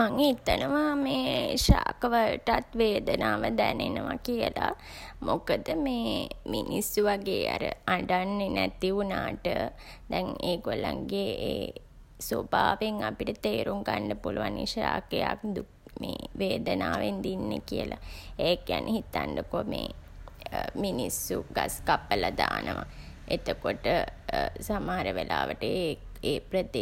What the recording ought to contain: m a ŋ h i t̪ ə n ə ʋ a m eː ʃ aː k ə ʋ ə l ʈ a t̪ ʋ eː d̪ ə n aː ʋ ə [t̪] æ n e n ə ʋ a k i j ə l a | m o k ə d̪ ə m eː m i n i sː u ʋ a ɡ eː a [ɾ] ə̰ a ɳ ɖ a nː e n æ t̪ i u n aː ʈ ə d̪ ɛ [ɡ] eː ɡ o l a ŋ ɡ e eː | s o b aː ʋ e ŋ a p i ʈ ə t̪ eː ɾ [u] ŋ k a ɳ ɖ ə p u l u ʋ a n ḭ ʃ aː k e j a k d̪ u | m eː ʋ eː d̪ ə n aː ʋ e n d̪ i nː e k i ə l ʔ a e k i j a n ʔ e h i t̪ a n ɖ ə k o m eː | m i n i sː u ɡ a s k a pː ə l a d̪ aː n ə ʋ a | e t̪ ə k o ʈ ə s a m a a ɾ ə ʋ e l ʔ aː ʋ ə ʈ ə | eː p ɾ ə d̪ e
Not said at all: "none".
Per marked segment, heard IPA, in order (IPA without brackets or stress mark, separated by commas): d̪, ɾ, ŋ, u